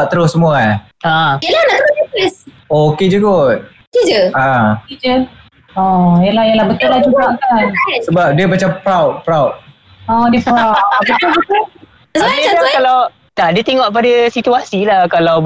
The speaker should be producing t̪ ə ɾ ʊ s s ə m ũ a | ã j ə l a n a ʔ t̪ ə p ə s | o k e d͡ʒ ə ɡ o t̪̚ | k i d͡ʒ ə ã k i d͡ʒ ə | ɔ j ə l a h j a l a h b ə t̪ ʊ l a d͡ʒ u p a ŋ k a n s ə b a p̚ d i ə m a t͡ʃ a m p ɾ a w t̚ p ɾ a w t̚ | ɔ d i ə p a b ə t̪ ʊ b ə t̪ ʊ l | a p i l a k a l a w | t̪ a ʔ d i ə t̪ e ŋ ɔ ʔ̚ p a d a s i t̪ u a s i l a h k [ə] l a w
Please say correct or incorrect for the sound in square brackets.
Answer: incorrect